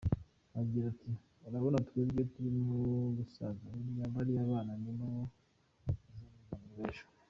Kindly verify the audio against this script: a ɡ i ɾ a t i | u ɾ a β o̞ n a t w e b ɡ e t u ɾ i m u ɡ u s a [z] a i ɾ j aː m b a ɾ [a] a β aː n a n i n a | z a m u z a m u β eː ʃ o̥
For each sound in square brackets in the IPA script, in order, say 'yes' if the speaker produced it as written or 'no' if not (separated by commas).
yes, no